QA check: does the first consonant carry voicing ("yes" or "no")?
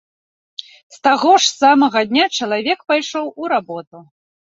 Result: no